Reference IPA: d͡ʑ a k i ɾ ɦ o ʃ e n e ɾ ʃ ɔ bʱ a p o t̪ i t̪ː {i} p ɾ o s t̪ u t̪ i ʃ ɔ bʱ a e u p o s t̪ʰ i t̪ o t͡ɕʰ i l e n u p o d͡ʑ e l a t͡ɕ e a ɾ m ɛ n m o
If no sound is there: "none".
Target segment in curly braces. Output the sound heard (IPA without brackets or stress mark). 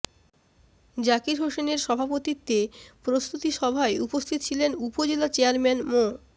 e